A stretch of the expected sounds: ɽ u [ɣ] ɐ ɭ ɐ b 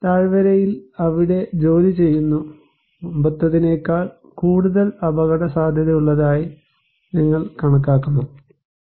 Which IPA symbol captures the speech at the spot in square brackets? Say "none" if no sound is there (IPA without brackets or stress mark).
ð